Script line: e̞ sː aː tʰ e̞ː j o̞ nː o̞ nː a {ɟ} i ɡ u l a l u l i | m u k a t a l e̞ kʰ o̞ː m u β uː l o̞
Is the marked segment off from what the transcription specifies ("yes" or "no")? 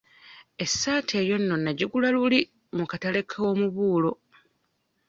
no